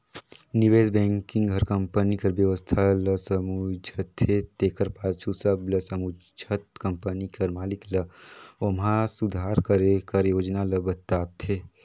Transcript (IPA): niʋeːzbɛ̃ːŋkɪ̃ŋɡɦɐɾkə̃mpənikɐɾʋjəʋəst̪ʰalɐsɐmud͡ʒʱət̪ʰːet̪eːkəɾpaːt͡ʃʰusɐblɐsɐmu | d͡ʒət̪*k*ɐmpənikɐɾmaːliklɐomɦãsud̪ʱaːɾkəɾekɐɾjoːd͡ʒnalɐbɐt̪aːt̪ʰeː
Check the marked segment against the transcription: correct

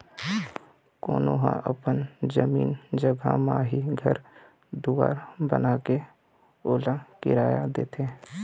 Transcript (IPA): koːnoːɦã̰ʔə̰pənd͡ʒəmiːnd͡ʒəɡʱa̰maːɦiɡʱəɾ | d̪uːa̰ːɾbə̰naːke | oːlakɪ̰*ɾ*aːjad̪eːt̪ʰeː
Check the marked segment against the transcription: correct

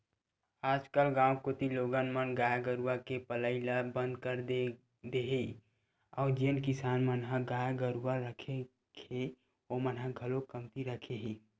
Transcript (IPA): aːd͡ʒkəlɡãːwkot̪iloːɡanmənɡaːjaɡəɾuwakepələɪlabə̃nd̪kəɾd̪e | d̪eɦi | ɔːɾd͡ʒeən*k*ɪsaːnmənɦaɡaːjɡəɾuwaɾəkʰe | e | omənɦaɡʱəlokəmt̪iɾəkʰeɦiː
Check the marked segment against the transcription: correct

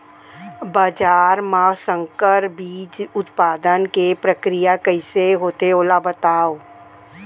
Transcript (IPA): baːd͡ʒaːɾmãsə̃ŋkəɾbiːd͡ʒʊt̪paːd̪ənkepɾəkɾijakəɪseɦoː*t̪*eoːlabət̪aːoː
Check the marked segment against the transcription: correct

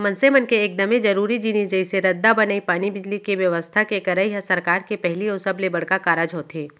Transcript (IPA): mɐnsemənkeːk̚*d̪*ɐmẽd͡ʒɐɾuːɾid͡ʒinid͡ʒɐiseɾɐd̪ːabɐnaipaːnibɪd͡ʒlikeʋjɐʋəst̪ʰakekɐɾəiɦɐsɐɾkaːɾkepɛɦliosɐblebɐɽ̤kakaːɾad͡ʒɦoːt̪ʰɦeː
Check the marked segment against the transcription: correct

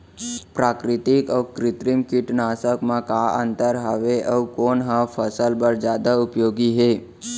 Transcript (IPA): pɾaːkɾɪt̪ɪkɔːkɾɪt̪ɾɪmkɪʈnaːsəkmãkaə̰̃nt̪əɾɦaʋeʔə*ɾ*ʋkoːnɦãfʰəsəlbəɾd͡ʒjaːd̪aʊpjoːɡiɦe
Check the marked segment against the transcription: incorrect: none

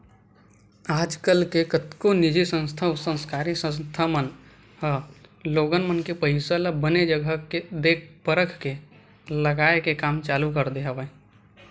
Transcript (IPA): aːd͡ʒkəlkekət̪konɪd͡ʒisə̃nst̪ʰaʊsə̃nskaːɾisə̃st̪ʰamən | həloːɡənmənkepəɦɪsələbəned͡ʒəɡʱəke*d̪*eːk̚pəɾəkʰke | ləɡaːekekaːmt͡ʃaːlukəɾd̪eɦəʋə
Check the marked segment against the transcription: correct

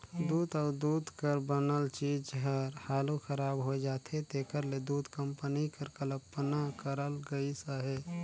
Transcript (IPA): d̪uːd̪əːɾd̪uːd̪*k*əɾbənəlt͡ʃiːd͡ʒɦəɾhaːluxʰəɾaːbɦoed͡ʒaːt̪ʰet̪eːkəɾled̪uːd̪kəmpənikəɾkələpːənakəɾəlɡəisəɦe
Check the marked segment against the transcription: correct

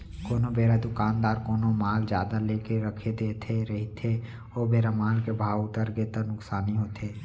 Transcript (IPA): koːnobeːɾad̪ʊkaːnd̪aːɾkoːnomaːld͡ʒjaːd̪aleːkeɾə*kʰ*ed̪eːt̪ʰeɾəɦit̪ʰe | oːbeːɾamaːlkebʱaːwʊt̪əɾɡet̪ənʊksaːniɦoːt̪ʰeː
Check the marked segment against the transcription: correct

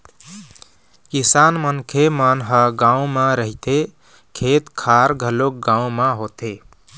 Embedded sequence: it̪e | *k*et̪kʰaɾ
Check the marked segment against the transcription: incorrect: kʰ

